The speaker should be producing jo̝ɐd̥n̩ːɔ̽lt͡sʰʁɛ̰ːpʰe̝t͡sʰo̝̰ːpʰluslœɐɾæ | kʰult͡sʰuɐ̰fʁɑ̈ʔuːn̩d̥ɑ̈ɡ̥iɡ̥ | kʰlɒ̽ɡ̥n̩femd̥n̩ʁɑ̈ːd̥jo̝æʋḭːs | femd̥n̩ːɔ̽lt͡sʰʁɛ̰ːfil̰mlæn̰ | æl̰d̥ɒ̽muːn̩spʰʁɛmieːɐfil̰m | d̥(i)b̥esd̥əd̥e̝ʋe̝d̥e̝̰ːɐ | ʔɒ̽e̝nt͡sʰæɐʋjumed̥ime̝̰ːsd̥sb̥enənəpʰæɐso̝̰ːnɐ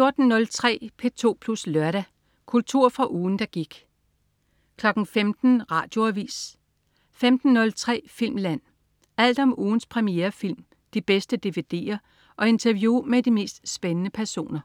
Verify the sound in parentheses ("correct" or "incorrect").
correct